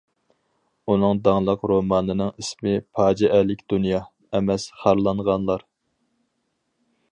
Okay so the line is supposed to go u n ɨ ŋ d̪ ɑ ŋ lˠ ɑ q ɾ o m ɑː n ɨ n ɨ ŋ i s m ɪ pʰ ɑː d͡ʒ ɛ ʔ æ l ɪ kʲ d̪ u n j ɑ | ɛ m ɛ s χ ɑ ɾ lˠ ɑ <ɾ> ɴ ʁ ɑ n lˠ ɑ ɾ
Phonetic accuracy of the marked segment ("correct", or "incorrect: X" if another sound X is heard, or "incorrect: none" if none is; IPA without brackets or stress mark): incorrect: none